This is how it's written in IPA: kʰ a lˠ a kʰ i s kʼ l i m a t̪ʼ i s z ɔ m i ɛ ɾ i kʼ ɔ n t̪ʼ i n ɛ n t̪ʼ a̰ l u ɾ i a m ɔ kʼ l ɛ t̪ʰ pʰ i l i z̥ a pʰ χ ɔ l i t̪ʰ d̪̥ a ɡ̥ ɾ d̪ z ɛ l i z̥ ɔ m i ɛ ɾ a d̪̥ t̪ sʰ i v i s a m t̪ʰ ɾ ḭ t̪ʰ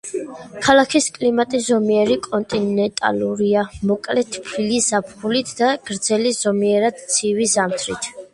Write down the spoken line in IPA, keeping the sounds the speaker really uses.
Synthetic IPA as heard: kʰ a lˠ a kʰ i s kʼ l i m a t̪ʼ i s z ɔ m i ɛ ɾ i kʼ ɔ n t̪ʼ i n ɛ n t̪ʼ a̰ l u ɾ i a m ɔ kʼ l ɛ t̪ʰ pʰ i l i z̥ a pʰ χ u l i t̪ʰ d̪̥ a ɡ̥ ɾ d̪ z ɛ l i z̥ ɔ m i ɛ ɾ a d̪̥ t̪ sʰ i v i z a m t̪ʰ ɾ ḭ t̪ʰ